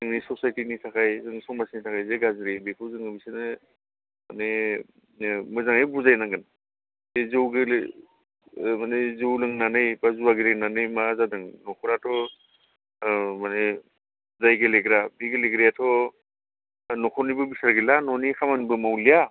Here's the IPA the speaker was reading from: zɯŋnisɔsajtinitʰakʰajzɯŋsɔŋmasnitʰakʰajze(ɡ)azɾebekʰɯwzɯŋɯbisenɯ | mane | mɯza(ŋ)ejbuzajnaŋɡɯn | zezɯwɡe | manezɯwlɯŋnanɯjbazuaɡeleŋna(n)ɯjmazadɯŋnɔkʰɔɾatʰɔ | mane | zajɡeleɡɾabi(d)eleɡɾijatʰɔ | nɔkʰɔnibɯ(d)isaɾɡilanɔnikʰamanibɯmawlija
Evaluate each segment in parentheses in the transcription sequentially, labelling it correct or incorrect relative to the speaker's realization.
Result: correct, correct, correct, incorrect, incorrect

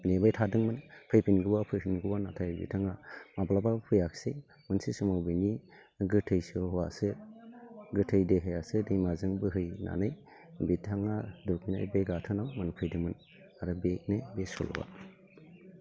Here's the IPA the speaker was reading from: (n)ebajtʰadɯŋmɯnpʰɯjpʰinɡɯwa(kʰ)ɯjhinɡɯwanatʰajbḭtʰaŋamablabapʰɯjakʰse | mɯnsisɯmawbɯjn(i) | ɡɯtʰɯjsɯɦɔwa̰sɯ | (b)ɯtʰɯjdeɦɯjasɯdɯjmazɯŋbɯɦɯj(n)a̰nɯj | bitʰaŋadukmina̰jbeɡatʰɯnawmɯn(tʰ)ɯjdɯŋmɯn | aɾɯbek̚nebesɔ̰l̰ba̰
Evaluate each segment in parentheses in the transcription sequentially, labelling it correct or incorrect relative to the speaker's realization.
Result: correct, incorrect, correct, incorrect, correct, incorrect

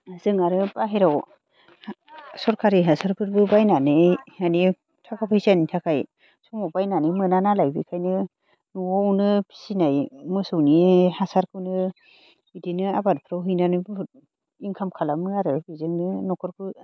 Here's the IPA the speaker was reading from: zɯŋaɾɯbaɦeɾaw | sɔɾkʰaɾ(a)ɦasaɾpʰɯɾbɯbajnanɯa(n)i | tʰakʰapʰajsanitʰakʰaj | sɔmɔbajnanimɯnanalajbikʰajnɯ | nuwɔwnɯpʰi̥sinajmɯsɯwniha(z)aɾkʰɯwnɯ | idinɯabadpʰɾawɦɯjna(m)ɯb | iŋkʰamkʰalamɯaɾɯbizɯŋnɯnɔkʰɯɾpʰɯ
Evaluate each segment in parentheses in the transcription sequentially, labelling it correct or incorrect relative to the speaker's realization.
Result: incorrect, correct, incorrect, incorrect

